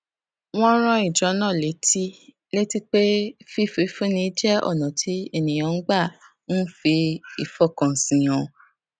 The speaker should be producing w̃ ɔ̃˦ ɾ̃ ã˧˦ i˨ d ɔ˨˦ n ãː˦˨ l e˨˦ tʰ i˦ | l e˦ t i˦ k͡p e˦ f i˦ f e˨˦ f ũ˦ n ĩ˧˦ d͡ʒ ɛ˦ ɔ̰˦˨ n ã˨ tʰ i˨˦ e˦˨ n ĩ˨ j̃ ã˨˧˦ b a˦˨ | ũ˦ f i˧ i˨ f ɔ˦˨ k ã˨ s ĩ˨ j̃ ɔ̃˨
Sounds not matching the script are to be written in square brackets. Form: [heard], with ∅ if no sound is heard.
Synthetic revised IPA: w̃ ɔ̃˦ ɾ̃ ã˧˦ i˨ [d͡ʒ] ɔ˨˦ n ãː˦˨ l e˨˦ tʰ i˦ | l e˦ t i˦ k͡p e˦ f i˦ f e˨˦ f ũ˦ n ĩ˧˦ d͡ʒ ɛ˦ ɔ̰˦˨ n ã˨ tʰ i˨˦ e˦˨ n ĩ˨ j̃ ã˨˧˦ [ɡ͡b] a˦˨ | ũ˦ f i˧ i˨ f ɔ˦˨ k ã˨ s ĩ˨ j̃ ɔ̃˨

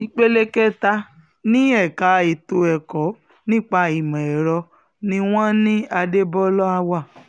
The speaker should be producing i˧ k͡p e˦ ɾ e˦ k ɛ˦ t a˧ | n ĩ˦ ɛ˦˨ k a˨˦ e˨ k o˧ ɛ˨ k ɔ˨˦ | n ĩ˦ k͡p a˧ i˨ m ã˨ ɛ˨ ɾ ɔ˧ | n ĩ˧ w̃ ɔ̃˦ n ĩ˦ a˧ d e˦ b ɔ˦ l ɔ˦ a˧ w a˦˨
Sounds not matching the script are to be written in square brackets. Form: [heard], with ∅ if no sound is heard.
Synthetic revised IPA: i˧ k͡p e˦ [l] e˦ k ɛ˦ t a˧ | n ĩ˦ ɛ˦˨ k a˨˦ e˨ [t] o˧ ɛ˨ k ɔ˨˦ | n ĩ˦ k͡p a˧ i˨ m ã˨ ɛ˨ ɾ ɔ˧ | n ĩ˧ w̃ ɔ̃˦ n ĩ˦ a˧ d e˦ b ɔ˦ l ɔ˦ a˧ w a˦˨

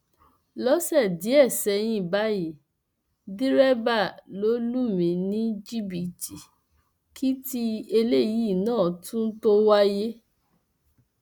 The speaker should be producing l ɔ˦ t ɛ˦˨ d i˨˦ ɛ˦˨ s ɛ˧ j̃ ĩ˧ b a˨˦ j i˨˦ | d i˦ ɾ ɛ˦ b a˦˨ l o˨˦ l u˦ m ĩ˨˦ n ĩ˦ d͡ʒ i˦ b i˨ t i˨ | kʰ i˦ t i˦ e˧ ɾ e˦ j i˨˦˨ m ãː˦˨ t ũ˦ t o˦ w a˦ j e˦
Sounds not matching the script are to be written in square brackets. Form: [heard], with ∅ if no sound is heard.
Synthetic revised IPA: l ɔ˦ [s] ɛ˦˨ d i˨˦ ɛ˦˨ s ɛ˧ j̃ ĩ˧ b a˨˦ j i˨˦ | d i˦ ɾ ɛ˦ b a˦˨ l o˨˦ l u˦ m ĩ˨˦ n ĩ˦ d͡ʒ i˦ b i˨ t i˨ | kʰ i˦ t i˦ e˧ [l] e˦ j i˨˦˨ [n] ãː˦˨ t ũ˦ t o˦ w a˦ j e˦

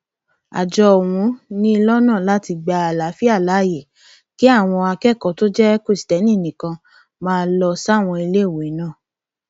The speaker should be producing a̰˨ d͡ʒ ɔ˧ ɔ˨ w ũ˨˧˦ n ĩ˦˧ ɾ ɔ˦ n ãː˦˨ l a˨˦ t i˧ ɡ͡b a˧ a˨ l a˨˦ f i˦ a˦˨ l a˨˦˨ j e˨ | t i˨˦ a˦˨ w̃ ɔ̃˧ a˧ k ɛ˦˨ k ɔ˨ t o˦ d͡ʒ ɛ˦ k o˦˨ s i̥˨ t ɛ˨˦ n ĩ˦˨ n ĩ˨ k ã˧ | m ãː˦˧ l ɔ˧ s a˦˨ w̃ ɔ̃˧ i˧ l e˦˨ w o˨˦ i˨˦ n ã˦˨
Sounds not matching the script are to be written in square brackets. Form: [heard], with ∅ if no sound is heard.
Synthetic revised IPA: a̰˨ d͡ʒ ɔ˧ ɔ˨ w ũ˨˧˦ n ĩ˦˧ [l] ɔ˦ n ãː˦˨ l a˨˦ t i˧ ɡ͡b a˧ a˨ l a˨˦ f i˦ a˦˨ l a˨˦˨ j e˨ | [k] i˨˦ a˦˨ w̃ ɔ̃˧ a˧ k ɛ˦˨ k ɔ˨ t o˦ d͡ʒ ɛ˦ k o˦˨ s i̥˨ t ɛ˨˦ n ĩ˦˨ n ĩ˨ k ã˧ | m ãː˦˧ l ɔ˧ s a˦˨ w̃ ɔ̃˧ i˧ l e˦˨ w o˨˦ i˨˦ n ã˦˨

